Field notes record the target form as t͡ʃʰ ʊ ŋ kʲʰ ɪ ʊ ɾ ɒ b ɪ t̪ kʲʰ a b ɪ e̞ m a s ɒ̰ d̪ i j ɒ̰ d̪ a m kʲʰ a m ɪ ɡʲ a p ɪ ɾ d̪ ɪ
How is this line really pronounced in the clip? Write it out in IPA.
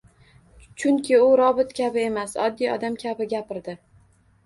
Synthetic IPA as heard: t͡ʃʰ ʊ ŋ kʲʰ ɪ ʊ ɾ ɒ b ɪ t̪ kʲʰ a b ɪ e̞ m a s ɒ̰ d̪ː i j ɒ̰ d̪ a m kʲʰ a b ɪ ɡʲ a p ɪ ɾ d̪ ɪ